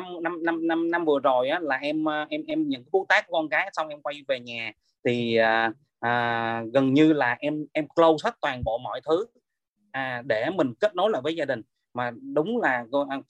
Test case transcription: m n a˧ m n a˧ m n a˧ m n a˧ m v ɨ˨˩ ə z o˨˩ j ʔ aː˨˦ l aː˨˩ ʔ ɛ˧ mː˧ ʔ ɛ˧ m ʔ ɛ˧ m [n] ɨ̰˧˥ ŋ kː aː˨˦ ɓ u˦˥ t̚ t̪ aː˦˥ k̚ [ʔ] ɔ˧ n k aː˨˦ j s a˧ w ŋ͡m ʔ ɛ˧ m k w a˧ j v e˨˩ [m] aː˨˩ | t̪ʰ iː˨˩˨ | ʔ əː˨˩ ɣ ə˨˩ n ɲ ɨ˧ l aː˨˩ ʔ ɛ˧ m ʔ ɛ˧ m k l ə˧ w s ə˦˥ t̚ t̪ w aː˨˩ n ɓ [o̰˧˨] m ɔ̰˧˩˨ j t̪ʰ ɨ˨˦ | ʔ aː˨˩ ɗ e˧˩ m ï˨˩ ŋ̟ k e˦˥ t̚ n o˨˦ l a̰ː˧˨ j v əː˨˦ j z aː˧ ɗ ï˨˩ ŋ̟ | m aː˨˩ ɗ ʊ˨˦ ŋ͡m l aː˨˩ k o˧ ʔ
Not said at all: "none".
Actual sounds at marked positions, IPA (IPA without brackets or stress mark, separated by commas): ɲ, k, ɲ, o̰˧˨